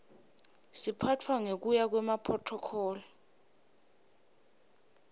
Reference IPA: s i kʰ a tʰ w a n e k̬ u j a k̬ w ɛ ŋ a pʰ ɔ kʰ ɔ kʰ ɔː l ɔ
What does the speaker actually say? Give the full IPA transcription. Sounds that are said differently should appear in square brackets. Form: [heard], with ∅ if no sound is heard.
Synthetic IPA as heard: s i [pʰ] a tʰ w a [ŋ] e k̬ u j a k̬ w ɛ [m] a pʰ ɔ [tʰ] ɔ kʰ ɔː l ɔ